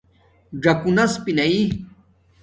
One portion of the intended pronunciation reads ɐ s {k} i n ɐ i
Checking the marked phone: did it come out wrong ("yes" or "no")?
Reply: yes